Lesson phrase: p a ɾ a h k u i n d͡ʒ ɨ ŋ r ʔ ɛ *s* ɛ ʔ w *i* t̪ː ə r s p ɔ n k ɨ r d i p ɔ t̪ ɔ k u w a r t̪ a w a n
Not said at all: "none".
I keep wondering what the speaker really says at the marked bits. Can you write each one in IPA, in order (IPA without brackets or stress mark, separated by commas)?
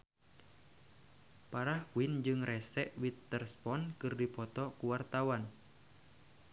s, i